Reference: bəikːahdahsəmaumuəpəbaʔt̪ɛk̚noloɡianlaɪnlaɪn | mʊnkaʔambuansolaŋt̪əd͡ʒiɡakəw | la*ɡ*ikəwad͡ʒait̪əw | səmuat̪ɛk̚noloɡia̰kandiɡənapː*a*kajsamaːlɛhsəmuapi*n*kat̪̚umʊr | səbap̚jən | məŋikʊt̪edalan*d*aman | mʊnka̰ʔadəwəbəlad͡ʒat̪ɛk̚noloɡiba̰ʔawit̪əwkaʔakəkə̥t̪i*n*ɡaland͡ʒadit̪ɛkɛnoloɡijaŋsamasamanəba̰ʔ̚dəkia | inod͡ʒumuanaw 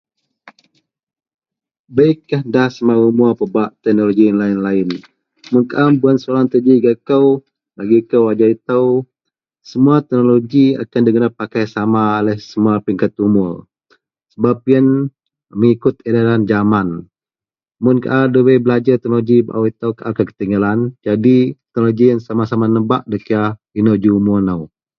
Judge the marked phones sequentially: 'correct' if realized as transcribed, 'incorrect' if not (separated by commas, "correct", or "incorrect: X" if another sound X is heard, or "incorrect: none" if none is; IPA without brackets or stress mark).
correct, correct, incorrect: ŋ, incorrect: d͡ʒ, incorrect: ŋ